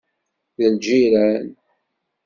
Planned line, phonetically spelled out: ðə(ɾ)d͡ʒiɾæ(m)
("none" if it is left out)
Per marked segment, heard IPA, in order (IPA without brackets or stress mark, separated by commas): l, n